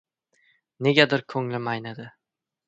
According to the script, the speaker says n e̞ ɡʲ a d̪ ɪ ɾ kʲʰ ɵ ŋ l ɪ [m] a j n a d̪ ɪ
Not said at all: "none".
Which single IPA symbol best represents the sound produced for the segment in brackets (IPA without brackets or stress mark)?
m